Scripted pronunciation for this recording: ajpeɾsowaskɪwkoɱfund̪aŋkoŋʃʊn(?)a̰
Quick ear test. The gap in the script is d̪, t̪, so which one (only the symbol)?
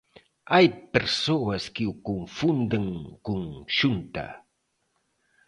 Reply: t̪